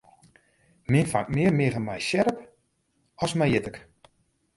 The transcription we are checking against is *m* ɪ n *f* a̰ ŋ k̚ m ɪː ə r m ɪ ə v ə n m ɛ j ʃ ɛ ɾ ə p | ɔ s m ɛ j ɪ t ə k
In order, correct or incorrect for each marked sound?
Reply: correct, correct

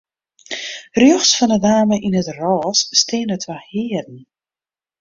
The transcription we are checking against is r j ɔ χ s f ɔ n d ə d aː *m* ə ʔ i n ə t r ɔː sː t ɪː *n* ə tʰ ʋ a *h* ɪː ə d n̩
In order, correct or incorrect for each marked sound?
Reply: correct, correct, correct

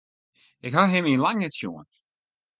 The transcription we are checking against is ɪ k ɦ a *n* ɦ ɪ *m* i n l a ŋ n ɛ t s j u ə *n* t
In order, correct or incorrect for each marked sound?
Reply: incorrect: none, correct, correct

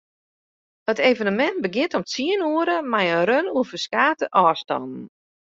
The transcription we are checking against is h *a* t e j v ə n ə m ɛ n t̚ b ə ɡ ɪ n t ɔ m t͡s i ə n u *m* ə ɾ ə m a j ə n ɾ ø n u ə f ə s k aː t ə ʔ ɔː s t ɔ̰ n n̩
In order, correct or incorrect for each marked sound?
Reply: incorrect: ə, incorrect: none

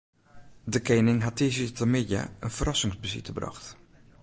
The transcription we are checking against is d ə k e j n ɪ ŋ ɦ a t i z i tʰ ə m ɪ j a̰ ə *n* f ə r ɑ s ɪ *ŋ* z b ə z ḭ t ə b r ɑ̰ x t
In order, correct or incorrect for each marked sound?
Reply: correct, correct

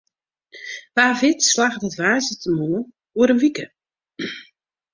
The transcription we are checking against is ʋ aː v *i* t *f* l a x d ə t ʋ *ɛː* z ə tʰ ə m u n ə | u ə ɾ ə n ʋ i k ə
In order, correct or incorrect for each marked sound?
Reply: incorrect: ɪ, incorrect: s, incorrect: aː

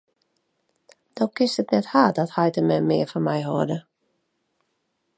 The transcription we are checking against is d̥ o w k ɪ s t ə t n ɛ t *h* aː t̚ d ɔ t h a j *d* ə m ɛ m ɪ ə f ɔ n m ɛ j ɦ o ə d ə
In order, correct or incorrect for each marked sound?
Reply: correct, incorrect: t

